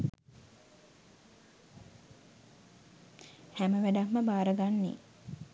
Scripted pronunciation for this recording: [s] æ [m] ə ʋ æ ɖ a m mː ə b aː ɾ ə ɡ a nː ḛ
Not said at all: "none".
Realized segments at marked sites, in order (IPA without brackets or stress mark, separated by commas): h, m